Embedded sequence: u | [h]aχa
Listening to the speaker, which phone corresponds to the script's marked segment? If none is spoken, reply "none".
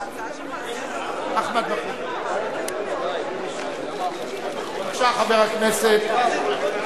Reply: ʃ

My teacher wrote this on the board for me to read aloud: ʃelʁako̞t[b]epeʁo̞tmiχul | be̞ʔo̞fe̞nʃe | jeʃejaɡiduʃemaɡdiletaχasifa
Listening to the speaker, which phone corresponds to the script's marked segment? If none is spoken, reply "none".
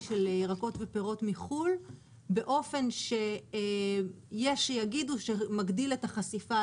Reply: v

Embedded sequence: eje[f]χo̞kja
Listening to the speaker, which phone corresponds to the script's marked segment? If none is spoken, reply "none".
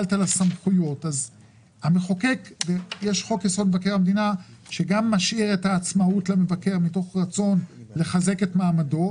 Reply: ʃ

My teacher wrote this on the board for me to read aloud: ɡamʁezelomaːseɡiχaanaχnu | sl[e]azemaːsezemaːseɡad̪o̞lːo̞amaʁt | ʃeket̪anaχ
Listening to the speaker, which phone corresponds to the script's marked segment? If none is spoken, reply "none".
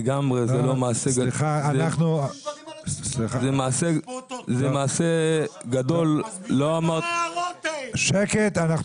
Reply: i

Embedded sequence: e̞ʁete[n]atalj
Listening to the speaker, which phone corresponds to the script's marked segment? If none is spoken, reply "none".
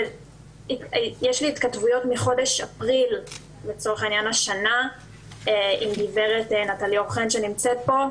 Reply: n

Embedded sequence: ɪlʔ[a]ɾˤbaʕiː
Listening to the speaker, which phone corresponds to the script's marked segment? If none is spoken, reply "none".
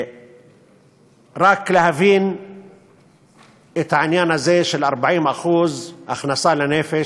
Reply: ɑ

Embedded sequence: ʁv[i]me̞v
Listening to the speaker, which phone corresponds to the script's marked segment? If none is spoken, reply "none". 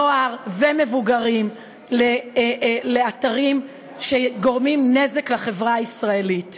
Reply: e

